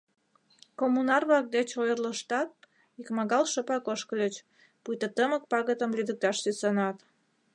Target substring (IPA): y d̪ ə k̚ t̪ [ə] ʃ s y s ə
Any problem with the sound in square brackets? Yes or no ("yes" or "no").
yes